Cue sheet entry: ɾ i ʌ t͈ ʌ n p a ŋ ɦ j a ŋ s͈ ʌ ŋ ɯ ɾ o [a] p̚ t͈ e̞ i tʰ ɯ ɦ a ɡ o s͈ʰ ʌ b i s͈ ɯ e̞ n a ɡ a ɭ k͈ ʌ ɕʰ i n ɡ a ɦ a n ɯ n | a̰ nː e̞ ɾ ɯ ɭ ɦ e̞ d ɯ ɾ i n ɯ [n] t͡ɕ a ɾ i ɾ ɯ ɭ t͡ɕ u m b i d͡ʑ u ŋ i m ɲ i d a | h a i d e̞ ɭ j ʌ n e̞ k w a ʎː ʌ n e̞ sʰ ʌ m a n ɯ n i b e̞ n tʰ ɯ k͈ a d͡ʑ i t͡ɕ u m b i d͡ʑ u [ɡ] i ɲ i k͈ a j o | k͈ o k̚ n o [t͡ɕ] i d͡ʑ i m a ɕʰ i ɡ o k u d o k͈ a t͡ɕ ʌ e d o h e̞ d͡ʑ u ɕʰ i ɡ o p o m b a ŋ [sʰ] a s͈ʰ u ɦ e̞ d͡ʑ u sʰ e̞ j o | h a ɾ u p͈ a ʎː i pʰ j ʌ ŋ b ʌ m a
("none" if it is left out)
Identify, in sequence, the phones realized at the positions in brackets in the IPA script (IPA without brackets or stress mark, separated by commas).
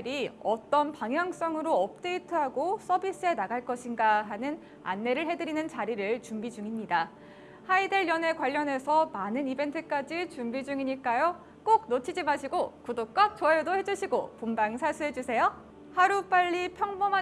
ʌ, n, ŋ, t͡ɕʰ, sʰ